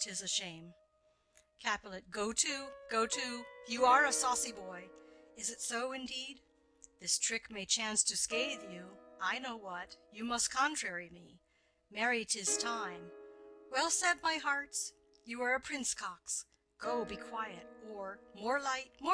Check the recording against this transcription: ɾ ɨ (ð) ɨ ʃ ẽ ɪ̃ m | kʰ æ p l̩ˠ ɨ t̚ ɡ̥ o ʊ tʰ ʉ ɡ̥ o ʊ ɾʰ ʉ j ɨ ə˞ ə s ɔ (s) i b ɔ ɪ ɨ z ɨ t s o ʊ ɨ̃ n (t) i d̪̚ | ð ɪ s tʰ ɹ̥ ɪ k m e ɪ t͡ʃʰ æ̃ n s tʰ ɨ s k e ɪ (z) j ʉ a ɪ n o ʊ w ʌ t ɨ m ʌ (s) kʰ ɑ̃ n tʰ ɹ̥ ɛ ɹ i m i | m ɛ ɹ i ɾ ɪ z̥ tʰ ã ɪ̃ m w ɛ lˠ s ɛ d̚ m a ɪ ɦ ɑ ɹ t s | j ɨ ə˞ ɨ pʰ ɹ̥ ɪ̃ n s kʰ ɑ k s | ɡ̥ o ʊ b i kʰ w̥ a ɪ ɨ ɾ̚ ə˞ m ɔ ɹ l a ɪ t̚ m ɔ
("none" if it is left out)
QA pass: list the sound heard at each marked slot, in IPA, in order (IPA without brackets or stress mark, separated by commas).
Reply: z, s, d, ð, s